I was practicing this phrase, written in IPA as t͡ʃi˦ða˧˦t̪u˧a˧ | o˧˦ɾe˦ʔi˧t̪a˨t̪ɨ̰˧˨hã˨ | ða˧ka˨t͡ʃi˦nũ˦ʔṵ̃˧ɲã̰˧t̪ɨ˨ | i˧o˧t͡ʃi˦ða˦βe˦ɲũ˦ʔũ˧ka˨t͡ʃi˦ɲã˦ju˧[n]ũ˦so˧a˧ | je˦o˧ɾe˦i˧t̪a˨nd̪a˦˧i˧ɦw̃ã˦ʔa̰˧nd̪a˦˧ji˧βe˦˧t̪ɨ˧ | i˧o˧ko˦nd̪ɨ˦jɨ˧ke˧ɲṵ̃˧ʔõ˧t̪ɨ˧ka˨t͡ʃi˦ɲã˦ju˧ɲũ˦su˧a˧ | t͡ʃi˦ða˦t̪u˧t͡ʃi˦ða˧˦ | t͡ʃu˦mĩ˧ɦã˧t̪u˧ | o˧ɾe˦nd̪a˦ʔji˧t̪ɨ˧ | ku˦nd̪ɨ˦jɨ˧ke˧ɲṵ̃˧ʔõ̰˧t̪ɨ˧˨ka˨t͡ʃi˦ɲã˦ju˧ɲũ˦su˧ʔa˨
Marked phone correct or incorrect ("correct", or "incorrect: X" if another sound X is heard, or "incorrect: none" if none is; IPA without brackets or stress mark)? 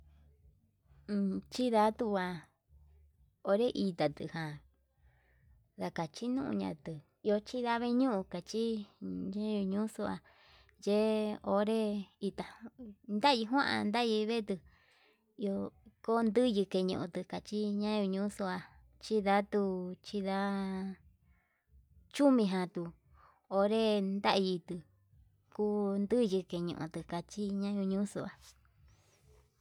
incorrect: ɲ